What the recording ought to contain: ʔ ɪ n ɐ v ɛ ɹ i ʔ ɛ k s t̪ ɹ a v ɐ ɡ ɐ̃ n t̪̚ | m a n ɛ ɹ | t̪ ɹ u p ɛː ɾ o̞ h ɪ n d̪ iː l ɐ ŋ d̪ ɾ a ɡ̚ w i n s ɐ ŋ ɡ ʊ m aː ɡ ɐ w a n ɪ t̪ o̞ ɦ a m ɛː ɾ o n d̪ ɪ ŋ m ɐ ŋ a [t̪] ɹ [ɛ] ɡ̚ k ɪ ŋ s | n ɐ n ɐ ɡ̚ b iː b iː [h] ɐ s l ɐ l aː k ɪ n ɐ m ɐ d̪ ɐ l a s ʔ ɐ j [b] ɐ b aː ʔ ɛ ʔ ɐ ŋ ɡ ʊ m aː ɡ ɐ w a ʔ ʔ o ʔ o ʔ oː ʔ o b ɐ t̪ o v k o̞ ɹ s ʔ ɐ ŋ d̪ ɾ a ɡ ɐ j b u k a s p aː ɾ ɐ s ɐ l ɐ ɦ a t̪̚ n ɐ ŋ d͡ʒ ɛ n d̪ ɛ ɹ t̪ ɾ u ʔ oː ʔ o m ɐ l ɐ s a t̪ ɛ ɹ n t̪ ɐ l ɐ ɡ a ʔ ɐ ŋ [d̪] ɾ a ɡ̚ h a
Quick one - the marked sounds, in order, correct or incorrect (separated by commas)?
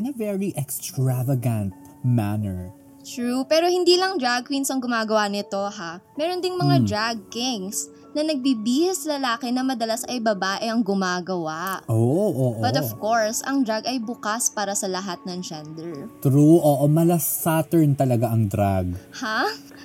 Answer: incorrect, incorrect, correct, correct, correct